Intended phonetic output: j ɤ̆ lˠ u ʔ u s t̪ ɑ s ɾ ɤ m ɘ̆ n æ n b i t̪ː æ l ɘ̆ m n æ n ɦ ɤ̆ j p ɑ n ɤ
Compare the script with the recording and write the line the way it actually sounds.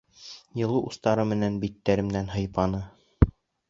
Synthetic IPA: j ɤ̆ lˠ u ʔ u s t̪ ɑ ɾ ɤ m ɘ̆ n æ n b i t̪ː æ ɾ ɘ̆ m n æ n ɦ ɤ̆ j p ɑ n ɤ